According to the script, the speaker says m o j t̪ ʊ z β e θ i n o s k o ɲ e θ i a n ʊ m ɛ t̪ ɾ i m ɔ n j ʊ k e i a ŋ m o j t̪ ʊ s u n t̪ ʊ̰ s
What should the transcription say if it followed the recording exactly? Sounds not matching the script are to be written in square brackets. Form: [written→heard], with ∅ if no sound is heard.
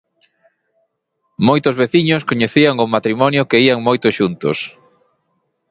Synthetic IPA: m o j t̪ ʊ z β e θ i [n→ɲ] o s k o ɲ e θ i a [n→ŋ] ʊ m [ɛ→a] t̪ ɾ i m ɔ n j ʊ k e i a ŋ m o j t̪ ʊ [s→ʃ] u n t̪ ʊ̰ s

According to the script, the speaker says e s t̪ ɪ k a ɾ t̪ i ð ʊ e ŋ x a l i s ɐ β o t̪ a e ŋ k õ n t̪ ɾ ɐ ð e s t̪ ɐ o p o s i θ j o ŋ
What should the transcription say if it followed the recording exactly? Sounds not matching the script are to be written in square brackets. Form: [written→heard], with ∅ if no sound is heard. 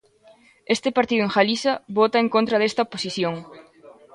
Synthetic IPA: e s t̪ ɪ [k→p] a ɾ t̪ i ð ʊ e ŋ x a l i s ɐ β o t̪ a e ŋ k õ n t̪ ɾ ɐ ð e s t̪ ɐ o p o s i θ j o ŋ

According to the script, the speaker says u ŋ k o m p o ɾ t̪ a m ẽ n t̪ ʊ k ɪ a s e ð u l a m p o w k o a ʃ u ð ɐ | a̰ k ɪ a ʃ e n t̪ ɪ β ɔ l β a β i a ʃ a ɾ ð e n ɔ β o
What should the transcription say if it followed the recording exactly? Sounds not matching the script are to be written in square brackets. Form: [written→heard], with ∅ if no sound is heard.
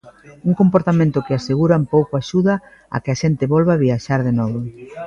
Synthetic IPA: u ŋ k o m p o ɾ t̪ a m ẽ n t̪ ʊ k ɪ a s e [ð→ɣ] u [l→ɾ] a m p o w k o a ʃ u ð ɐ | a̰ k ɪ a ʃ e n t̪ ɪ β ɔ l β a β i a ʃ a ɾ ð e n ɔ β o

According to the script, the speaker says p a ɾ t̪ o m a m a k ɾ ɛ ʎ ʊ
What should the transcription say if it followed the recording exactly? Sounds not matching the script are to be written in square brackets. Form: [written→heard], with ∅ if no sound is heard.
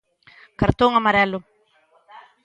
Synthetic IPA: [p→k] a ɾ t̪ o [m→ŋ] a m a [k→∅] ɾ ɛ [ʎ→l] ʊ

